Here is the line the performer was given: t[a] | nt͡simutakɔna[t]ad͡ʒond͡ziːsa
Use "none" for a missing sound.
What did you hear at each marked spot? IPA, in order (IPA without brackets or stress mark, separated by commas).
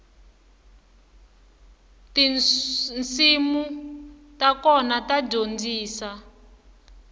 i, t